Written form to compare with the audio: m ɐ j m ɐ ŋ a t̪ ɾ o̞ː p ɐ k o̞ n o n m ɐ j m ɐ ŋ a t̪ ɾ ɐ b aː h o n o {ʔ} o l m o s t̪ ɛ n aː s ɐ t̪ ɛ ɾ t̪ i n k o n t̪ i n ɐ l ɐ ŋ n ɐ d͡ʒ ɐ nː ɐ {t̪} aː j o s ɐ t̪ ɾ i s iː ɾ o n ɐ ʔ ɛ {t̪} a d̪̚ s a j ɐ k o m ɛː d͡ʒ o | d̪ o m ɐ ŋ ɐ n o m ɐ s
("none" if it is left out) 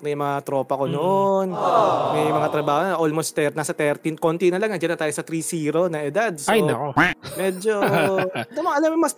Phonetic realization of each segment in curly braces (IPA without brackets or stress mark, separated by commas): ʔ, t̪, d̪